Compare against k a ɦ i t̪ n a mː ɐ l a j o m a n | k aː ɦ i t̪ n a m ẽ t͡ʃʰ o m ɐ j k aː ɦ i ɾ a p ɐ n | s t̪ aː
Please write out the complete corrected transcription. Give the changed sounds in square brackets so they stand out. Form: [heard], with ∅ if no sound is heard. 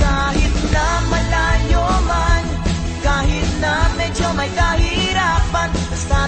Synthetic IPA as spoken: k a ɦ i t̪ n a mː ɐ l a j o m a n | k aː ɦ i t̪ n a m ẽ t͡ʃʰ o m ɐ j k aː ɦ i ɾ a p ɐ n | s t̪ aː